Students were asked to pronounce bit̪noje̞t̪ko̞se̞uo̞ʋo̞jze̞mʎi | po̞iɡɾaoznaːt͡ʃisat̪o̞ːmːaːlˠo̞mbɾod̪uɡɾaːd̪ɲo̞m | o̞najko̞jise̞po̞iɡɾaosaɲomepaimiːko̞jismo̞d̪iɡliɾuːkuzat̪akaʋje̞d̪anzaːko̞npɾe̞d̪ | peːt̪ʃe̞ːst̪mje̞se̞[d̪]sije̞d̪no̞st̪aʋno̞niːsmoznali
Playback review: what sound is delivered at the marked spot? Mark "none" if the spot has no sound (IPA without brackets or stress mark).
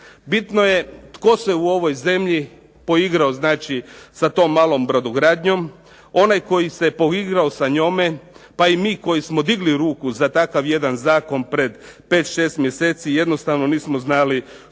t̪